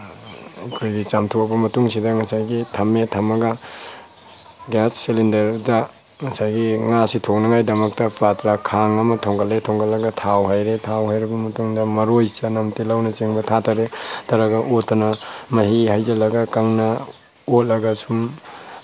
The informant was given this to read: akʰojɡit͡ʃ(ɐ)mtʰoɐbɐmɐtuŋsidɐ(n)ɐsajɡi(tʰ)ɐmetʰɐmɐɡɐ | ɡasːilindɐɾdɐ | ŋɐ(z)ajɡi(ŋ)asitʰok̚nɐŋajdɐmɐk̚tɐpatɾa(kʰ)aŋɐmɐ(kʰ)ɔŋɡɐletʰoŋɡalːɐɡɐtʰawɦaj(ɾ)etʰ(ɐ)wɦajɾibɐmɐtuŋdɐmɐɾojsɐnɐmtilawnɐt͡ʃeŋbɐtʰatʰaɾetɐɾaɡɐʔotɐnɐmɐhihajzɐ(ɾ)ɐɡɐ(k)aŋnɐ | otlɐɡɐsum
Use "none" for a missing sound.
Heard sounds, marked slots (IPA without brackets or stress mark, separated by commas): a, ŋ, tʰ, s, ŋ, kʰ, tʰ, ɾ, a, l, k